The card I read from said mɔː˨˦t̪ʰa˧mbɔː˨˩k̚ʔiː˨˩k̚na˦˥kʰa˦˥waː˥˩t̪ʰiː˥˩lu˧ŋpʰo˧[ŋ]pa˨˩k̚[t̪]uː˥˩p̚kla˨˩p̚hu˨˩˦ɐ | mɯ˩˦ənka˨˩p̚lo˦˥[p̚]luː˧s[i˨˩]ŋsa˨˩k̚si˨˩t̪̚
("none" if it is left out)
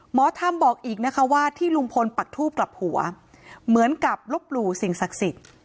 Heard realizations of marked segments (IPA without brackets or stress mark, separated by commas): n, t̪ʰ, p̚, i˨˩